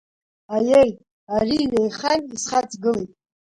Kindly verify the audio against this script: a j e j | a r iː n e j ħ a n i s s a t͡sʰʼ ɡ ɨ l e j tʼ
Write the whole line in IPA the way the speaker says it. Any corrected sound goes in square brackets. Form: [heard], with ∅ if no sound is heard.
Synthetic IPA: a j e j | a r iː n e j [χ] a n i s [χ] a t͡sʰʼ ɡ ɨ l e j tʼ

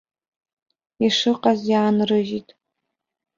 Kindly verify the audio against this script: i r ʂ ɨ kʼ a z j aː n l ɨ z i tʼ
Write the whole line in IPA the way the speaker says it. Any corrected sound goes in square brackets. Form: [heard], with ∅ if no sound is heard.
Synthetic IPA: i [∅] ʂ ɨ [qʼ] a z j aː n [r] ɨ [ʒ] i tʼ

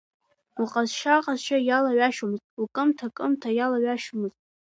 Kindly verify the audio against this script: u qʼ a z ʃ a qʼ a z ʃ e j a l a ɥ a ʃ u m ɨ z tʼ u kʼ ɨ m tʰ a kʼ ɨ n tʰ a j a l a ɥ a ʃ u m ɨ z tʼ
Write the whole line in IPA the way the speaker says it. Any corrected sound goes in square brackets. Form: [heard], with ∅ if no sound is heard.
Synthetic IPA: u qʼ a z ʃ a qʼ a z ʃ [a] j a l a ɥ a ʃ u m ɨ z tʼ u kʼ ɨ m tʰ a kʼ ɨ [m] tʰ a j a l a ɥ a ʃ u m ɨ z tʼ

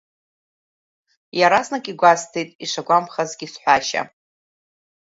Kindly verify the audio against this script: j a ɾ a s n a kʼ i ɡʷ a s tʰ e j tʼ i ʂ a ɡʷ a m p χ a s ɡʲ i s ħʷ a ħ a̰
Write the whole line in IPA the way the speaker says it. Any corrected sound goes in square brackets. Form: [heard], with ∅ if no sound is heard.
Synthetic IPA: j a ɾ a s n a kʼ i ɡʷ a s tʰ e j tʼ i ʂ a ɡʷ a m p χ a [z] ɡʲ i s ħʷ a [ʃ] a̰

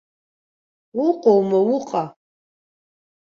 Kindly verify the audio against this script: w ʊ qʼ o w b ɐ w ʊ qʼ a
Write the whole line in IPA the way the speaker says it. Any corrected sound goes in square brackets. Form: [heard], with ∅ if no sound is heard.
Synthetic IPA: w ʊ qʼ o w [m] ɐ w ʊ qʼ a

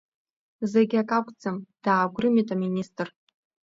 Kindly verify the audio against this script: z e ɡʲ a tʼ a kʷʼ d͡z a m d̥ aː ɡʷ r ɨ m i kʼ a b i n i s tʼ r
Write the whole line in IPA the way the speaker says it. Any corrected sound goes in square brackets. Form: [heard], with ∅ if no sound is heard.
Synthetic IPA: z e ɡʲ a [kʼ] a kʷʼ d͡z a m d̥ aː ɡʷ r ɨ m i [tʼ] a [m] i n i s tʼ r

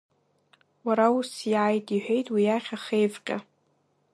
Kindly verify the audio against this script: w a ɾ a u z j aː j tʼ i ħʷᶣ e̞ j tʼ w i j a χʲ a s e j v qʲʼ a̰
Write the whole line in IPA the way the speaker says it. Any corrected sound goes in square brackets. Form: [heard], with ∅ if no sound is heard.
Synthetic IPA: w a ɾ a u [s] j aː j tʼ i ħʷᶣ e̞ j tʼ w i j a χʲ a [χ] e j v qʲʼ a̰

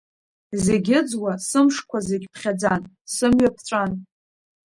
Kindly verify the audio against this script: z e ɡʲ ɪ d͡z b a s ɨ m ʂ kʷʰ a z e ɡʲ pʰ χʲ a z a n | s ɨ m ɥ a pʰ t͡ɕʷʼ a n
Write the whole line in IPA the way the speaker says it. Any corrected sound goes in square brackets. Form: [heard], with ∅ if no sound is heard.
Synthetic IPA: z e ɡʲ ɪ d͡z [w] a s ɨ m ʂ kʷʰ a z e ɡʲ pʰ χʲ a [d͡z] a n | s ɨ m ɥ a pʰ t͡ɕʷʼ a n

